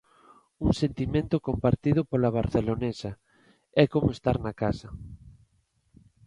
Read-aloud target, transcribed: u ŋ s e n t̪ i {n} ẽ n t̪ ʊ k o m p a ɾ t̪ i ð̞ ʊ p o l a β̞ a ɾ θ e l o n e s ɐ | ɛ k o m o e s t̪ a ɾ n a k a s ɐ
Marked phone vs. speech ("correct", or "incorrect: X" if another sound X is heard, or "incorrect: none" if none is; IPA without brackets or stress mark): incorrect: m